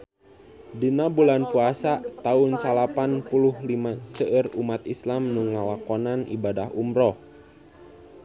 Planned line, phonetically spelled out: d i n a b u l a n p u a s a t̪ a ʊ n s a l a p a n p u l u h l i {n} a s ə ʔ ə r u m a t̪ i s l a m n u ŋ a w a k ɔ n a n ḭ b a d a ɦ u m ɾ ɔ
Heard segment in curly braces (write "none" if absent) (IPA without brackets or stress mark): m